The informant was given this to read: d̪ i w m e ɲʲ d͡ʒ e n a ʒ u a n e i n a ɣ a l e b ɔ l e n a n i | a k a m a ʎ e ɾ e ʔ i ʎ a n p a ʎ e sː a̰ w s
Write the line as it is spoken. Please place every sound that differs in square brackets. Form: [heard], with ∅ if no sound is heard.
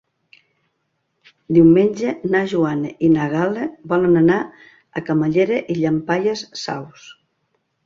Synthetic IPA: d̪ i w m e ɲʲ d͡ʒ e n a ʒ u a n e i n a ɣ a l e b ɔ l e n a n [a] | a k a m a ʎ e ɾ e ʔ i ʎ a [m] p a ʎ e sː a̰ w s